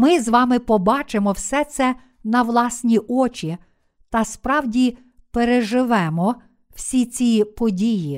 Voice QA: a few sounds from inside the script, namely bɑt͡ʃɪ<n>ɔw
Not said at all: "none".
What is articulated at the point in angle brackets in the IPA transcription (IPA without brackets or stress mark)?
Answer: m